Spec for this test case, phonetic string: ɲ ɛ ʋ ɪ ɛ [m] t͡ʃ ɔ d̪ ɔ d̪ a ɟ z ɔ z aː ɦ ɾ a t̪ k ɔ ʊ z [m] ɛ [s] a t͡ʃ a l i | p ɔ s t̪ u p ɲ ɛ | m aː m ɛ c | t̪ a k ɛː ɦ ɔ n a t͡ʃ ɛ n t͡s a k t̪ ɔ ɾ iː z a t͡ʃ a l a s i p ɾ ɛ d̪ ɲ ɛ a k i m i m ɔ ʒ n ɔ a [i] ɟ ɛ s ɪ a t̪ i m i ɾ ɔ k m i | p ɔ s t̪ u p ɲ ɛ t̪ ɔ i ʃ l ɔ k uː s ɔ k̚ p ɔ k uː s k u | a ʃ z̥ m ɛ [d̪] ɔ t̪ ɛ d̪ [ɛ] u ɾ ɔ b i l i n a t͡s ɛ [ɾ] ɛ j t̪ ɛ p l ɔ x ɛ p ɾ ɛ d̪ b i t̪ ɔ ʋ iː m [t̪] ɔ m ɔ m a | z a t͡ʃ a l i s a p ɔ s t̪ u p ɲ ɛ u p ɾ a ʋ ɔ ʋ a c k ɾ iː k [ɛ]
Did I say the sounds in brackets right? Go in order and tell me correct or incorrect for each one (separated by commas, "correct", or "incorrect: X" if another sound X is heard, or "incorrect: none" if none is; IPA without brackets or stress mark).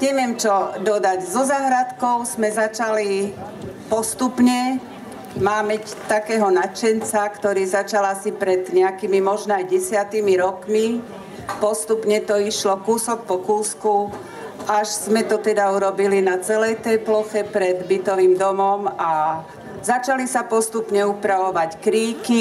correct, correct, incorrect: z, incorrect: j, incorrect: t̪, incorrect: a, incorrect: l, incorrect: d̪, incorrect: i